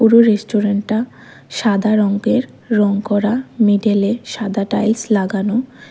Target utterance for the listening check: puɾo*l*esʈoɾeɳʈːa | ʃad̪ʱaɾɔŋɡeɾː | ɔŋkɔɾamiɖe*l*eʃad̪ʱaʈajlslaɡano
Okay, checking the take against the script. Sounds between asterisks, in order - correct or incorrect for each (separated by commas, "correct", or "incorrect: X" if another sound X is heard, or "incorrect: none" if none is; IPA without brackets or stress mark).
incorrect: ɾ, correct